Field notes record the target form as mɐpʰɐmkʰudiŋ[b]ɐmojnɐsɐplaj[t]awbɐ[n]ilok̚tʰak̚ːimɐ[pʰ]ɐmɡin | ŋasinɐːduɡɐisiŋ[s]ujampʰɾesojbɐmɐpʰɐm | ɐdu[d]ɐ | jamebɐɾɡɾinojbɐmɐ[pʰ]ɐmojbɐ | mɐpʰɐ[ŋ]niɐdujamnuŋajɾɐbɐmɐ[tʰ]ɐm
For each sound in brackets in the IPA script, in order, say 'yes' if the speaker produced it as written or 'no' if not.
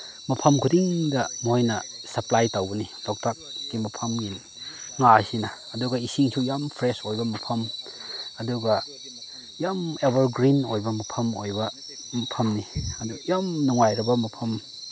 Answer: no, yes, yes, yes, yes, no, yes, no, no

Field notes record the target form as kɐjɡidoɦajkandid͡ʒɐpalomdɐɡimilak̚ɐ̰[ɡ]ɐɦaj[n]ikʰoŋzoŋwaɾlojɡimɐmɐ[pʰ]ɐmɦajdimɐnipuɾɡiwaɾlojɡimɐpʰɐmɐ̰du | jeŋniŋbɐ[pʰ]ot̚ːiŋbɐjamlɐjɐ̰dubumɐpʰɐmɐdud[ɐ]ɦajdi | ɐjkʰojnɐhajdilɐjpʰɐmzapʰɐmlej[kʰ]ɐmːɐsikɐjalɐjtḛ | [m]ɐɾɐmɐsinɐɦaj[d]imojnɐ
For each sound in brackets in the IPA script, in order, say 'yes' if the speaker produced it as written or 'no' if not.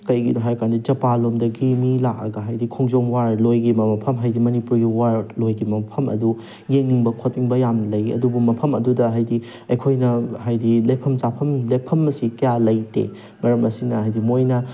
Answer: yes, no, yes, no, yes, no, yes, yes

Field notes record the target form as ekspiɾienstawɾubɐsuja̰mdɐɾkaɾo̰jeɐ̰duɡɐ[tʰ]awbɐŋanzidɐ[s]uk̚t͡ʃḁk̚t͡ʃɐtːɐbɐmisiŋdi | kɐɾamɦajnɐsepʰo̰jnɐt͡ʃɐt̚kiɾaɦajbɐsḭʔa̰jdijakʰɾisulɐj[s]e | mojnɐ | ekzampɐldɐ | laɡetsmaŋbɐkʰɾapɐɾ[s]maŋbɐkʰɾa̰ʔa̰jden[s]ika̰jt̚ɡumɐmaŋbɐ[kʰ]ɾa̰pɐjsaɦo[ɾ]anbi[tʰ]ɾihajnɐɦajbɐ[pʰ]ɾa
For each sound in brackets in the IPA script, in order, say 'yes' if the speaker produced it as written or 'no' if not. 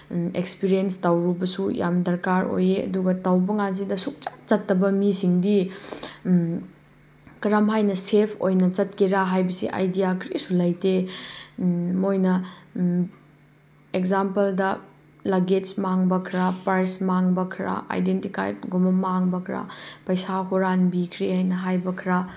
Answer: no, yes, no, yes, no, yes, yes, no, no

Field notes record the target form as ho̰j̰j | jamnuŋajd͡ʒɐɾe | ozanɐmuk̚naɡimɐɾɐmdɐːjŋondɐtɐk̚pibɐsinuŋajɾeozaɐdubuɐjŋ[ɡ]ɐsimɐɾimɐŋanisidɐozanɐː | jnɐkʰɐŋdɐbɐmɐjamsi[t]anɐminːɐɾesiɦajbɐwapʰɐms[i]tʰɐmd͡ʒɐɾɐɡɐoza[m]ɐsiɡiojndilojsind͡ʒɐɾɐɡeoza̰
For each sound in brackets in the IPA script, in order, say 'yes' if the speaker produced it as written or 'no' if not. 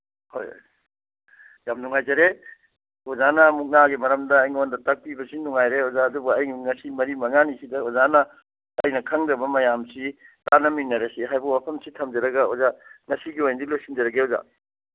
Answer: no, yes, yes, no

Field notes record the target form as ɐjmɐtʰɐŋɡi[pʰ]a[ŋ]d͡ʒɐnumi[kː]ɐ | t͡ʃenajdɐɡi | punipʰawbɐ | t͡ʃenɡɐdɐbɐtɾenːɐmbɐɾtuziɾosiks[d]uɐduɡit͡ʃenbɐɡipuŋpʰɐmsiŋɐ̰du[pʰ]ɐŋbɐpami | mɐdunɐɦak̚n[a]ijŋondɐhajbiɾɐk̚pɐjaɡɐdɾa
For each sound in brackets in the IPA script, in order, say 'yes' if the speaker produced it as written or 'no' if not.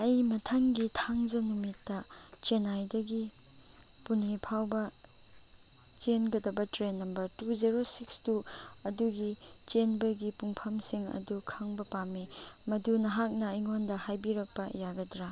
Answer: no, yes, no, no, no, no

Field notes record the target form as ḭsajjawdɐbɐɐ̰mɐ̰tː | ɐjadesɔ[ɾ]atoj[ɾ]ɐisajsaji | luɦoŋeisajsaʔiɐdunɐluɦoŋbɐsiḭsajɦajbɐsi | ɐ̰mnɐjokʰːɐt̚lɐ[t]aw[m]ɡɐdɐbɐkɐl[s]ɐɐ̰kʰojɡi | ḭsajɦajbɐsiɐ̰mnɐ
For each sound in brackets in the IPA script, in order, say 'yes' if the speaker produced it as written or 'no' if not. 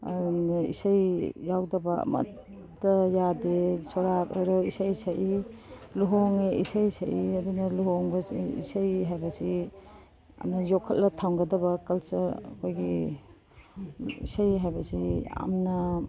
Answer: yes, yes, no, no, yes

